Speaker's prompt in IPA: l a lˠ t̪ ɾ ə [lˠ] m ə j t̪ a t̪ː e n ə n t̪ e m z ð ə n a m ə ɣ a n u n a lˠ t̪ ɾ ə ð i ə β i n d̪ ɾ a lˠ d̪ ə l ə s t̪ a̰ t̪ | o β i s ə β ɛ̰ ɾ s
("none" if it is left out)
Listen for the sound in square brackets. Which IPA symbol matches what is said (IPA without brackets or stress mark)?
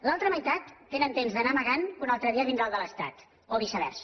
none